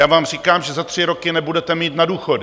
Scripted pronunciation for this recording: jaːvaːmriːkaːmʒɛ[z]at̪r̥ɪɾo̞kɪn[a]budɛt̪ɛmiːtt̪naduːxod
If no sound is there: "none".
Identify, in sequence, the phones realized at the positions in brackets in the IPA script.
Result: z, ɛ

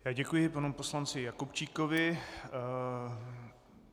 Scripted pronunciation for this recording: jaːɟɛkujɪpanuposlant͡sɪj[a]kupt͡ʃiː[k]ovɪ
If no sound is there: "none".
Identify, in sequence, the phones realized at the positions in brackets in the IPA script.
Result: a, k

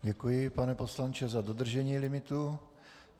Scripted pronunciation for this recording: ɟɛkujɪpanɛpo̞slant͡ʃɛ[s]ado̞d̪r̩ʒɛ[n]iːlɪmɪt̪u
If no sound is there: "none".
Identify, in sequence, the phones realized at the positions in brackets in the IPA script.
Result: z, ɲ

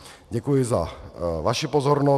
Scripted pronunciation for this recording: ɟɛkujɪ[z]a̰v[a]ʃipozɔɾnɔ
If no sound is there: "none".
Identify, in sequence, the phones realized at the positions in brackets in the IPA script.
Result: z, a

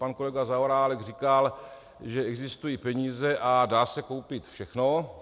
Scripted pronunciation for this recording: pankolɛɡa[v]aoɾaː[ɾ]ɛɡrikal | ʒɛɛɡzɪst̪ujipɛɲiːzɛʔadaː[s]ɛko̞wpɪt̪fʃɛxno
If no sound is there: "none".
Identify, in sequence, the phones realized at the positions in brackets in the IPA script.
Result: z, l, s

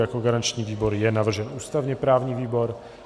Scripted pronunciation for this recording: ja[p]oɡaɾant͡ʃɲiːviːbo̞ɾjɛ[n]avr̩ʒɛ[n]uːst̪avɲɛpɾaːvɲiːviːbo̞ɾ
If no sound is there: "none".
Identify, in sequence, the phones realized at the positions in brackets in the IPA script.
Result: k, n, n

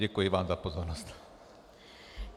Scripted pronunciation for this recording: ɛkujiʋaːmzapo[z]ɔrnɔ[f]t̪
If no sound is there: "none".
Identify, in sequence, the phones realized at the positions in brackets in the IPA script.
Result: z, s

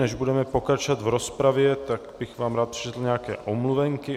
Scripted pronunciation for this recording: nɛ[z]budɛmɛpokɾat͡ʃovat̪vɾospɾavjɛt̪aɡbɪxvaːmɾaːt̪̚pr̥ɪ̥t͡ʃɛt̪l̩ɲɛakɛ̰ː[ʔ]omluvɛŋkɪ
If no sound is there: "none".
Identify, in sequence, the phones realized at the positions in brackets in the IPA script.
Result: ʒ, ʔ

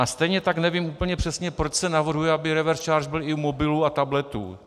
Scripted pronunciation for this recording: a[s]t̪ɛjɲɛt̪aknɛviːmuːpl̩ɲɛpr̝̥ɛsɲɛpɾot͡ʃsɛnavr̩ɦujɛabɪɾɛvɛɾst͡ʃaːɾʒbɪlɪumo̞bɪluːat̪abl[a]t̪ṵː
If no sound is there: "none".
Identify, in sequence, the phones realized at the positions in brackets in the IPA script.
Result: s, ɛ

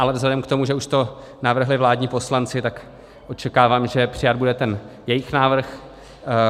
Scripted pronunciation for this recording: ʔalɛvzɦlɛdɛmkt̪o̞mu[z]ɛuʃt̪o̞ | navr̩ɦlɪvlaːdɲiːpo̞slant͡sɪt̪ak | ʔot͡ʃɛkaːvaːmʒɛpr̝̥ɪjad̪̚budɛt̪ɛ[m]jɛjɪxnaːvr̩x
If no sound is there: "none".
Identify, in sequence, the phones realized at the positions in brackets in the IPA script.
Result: ʒ, n

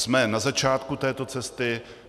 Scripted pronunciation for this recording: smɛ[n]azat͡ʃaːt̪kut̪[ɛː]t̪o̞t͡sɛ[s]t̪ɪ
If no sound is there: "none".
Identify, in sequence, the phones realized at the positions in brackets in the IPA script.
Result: n, ɛː, s

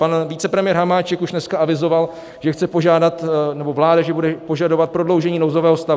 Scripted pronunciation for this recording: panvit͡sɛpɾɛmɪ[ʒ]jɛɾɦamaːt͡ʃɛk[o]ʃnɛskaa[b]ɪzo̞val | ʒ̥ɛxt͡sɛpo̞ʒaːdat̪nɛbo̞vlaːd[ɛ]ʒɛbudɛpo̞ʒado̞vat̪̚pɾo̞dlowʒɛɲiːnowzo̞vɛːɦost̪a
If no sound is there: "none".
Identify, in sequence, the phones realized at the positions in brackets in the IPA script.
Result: none, u, v, a

